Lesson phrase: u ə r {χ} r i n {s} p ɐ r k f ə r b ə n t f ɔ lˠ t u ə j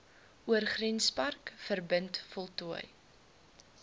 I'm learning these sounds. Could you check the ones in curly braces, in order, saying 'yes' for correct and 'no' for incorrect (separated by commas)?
yes, yes